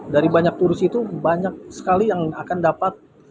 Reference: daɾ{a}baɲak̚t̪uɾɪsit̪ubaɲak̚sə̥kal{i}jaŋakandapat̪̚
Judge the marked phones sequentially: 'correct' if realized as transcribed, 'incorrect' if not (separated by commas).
incorrect, correct